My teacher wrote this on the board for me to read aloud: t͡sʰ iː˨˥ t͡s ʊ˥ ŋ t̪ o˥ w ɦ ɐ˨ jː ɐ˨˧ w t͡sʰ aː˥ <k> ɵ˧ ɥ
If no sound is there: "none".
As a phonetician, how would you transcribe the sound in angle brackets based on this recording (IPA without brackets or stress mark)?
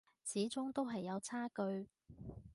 k